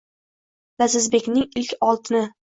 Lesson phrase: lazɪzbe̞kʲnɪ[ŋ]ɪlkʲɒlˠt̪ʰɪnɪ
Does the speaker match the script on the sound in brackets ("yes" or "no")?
yes